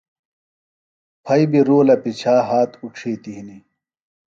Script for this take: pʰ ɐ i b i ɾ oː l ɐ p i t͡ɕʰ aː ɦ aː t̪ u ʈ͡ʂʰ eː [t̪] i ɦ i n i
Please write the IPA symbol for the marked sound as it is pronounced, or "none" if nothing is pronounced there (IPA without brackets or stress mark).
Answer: t̪